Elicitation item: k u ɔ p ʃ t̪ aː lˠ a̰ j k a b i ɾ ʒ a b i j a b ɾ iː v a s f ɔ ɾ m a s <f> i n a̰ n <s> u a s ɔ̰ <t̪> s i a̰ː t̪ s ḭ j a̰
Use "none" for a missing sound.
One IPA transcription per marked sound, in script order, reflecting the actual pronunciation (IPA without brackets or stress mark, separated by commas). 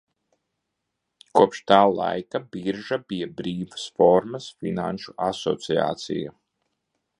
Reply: f, ʃ, t̪